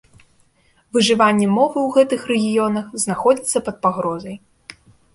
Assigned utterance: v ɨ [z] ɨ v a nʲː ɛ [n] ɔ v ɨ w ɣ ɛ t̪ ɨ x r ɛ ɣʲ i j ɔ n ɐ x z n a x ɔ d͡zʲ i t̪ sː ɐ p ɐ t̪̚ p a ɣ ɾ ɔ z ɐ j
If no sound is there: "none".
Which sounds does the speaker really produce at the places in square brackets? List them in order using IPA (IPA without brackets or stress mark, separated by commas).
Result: ʐ, m